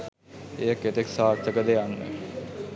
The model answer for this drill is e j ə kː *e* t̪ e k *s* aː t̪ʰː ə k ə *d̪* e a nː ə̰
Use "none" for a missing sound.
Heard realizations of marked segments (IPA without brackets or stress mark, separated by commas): e, s, d̪